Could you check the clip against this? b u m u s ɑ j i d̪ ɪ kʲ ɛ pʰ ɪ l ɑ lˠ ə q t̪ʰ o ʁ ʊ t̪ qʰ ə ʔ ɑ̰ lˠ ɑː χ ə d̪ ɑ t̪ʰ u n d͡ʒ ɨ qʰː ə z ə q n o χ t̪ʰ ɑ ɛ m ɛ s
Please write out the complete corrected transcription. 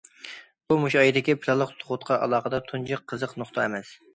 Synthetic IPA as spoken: b u m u ʃ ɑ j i d̪ ɪ kʲ i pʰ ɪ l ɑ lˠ ə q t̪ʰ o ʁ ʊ t̪ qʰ ɑ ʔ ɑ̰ lˠ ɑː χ ə d̪ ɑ t̪ʰ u n d͡ʒ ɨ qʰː ə z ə q n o χ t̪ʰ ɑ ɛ m ɛ s